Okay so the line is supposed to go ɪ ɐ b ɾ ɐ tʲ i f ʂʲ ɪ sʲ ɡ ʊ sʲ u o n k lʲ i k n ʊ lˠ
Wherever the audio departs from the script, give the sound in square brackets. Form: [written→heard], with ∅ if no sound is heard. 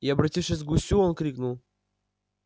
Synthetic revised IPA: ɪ ɐ b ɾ ɐ tʲ i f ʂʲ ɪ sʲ ɡ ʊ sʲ u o n k [lʲ→ɾʲ] i k n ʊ lˠ